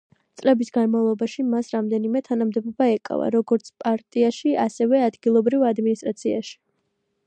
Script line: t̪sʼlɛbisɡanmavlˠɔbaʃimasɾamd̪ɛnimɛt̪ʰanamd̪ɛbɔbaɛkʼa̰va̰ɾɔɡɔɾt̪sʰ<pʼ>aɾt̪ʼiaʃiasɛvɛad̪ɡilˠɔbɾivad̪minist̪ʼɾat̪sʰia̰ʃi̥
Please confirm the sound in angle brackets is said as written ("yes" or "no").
yes